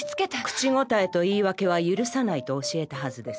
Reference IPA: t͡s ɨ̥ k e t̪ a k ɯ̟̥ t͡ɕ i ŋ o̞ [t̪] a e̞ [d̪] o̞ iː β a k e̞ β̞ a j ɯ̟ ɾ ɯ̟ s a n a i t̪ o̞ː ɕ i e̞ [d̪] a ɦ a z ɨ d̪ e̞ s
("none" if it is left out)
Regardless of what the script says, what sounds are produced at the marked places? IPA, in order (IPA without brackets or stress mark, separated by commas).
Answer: t̪, t̪, t̪